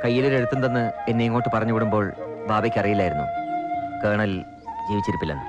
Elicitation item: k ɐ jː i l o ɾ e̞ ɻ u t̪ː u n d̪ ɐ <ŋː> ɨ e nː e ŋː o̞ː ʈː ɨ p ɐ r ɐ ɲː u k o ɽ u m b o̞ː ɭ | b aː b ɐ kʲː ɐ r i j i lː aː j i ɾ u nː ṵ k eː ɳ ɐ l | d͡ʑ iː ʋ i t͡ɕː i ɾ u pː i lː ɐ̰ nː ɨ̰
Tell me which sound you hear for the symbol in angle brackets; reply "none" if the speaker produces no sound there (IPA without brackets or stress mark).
nː